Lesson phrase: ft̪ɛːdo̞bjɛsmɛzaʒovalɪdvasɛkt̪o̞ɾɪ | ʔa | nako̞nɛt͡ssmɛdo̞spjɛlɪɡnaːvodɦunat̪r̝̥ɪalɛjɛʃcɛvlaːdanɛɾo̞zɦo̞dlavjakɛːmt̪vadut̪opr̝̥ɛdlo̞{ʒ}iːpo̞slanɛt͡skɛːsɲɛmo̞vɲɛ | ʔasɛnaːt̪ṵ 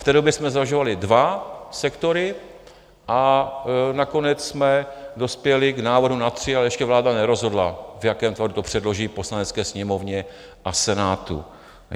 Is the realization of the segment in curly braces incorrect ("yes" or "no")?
no